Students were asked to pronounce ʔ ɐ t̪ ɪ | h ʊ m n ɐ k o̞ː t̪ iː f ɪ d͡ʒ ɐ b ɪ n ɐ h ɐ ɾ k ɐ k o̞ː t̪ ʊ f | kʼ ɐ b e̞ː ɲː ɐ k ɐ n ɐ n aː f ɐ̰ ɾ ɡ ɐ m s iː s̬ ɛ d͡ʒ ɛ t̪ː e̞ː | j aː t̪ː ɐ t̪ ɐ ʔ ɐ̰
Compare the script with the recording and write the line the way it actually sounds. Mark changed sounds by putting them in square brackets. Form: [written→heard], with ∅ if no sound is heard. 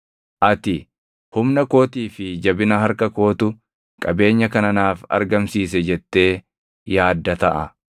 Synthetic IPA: ʔ ɐ t̪ ɪ | h ʊ m n ɐ k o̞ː t̪ iː f ɪ d͡ʒ ɐ b ɪ n ɐ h ɐ ɾ k ɐ k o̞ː t̪ ʊ [f→∅] | kʼ ɐ b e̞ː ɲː ɐ k ɐ n ɐ n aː f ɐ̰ ɾ ɡ ɐ m s iː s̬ ɛ d͡ʒ ɛ t̪ː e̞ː | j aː [t̪ː→d̪ː] ɐ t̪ ɐ ʔ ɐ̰